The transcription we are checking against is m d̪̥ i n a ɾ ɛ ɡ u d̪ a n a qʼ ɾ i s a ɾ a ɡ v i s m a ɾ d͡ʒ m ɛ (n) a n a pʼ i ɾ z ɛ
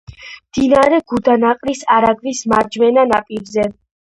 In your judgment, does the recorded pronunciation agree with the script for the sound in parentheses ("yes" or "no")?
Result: yes